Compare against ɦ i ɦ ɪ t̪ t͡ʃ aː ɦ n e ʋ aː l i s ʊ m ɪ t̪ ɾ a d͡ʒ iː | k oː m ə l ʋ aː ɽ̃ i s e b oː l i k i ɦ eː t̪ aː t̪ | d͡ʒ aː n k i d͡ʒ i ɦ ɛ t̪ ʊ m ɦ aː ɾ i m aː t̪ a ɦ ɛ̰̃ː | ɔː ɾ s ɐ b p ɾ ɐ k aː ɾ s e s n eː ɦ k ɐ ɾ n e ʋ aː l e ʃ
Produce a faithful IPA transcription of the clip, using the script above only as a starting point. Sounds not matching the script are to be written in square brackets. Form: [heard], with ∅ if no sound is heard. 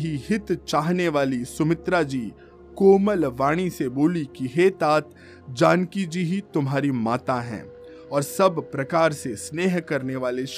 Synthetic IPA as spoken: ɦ i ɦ ɪ t̪ t͡ʃ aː ɦ n e ʋ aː l i s ʊ m ɪ t̪ ɾ a d͡ʒ iː | k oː m ə l ʋ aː ɽ̃ i s e b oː l i k i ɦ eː t̪ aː t̪ | d͡ʒ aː n k i d͡ʒ i ɦ [i] t̪ ʊ m ɦ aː ɾ i m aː t̪ a ɦ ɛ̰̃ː | ɔː ɾ s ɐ b p ɾ ɐ k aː ɾ s e s n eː ɦ k ɐ ɾ n e ʋ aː l e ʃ